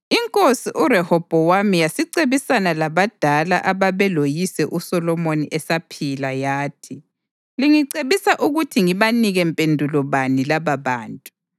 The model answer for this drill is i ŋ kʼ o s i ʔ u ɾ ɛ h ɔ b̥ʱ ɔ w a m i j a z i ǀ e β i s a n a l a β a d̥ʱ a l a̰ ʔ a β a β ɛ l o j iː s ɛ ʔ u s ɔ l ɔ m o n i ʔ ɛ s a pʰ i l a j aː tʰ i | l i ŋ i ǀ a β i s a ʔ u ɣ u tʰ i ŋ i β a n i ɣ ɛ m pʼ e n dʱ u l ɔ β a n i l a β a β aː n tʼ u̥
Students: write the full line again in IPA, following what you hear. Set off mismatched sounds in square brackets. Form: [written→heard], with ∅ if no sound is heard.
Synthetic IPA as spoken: i ŋ kʼ o s i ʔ u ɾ ɛ h ɔ b̥ʱ ɔ w a m i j a [z→s] i ǀ e β i s a n a l a β a d̥ʱ a l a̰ ʔ a β a β ɛ l o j [iː→i] s ɛ ʔ u s ɔ l ɔ m o n i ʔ ɛ s a pʰ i l a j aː tʰ i | l i ŋ i ǀ [a→e] β i s a ʔ u ɣ u tʰ i ŋ i β a n i ɣ ɛ m pʼ e n dʱ u l ɔ β a n i l a β a β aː n tʼ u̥